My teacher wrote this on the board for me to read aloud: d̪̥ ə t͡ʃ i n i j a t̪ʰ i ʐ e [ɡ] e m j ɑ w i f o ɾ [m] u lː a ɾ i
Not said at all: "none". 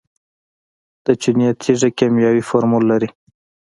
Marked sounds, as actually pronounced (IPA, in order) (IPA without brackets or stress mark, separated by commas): k, m